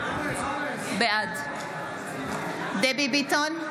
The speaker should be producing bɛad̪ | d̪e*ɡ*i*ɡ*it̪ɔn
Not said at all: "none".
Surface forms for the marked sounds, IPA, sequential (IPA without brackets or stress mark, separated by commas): b, b